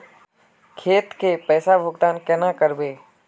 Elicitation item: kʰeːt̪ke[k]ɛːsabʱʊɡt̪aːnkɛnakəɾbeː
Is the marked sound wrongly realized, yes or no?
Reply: yes